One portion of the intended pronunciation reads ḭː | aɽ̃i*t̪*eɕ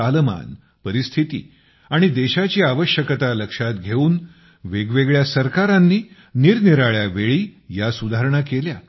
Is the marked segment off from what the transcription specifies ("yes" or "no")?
yes